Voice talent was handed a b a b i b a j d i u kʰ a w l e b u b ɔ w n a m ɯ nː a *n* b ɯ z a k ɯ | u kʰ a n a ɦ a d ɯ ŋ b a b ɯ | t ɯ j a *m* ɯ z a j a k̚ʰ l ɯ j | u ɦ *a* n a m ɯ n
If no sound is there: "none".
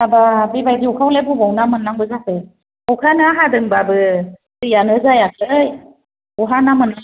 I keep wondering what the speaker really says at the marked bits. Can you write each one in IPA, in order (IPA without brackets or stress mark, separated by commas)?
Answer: ŋ, n, a